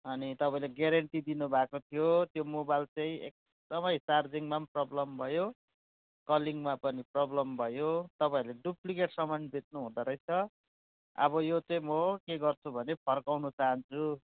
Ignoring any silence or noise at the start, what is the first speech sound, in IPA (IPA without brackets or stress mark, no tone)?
ʌ